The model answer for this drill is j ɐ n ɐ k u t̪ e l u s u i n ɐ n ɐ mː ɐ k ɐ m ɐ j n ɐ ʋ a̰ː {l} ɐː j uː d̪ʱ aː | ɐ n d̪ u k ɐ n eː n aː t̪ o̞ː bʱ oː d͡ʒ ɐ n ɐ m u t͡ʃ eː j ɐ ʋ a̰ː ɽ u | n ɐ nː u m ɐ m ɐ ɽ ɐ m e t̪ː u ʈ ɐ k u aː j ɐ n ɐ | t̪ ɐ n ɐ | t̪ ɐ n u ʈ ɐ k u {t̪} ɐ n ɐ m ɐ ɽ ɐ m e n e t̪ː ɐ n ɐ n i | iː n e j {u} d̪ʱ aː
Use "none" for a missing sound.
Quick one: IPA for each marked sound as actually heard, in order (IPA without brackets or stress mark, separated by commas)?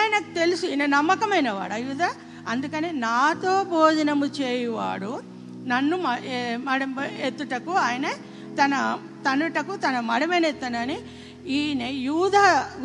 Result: ɽ, t̪, uː